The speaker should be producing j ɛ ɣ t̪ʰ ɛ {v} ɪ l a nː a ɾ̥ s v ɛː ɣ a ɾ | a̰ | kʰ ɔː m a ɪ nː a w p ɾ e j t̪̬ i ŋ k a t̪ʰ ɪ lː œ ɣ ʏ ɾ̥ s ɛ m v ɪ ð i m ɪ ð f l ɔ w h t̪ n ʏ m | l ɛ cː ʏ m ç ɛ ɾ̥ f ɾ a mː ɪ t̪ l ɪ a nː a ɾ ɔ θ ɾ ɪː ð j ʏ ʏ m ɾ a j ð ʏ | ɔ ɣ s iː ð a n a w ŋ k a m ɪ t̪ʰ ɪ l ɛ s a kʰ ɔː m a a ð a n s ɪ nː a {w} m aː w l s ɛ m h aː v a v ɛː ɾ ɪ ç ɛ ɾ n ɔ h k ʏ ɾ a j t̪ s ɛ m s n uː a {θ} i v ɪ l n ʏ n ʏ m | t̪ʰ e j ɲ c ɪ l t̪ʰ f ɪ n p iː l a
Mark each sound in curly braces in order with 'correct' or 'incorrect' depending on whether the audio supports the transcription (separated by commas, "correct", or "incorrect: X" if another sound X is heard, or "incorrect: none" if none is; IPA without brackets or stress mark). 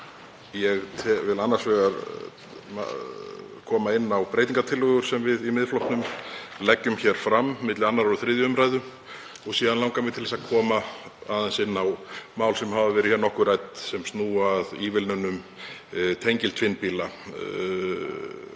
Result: correct, correct, incorrect: ð